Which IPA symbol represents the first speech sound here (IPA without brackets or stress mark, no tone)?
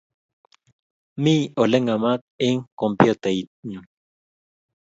m